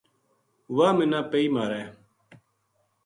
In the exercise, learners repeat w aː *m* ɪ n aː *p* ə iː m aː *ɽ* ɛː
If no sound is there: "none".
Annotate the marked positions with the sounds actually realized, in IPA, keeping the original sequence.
m, p, ɾ

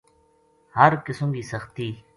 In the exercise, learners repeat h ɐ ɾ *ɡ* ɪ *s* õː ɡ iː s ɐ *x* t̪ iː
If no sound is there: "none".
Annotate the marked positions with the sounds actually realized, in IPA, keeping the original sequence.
k, s, x

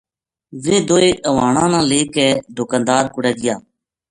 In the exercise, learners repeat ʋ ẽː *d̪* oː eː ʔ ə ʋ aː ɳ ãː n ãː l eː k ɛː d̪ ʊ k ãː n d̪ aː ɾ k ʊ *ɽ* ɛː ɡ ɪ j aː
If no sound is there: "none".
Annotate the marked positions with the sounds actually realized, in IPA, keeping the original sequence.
d̪, ɽ

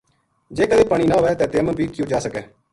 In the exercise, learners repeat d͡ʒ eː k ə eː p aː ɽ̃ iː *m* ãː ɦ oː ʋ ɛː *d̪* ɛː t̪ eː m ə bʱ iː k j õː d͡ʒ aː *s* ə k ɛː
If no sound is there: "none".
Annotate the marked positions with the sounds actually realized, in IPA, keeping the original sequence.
n, t̪, s

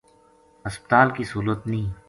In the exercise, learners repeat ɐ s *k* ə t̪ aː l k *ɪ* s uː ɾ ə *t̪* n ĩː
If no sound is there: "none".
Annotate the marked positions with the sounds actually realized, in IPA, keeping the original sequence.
p, i, t̪

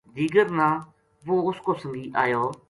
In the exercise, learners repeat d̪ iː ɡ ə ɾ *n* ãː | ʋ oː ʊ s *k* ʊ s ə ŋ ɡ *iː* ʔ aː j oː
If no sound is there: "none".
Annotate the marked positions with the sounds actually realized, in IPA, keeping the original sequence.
n, k, iː

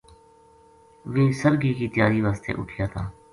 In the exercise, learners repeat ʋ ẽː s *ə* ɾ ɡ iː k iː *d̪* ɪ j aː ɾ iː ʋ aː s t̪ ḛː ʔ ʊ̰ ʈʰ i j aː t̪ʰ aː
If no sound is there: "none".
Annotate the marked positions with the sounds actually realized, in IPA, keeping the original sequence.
ə, t̪

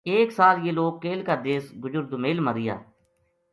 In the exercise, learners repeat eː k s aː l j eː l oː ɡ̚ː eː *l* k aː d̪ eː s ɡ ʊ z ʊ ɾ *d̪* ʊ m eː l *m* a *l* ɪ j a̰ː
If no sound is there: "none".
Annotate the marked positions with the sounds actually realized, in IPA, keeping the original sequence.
l, d̪, m, ɾ

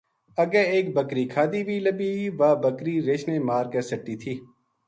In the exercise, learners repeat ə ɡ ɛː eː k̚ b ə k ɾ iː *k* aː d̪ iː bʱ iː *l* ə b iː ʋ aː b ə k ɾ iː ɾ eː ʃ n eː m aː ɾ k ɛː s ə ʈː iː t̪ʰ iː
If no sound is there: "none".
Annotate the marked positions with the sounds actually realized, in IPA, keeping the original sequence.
kʰ, l

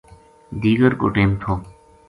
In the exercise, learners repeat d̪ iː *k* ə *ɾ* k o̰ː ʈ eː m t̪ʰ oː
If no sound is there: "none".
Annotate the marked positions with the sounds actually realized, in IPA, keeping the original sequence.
ɡ, ɾ

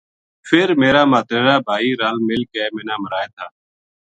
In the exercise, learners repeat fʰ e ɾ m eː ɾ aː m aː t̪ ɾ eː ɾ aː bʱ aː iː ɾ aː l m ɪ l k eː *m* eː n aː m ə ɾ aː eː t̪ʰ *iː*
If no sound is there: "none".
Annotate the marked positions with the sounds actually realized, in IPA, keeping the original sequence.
m, aː

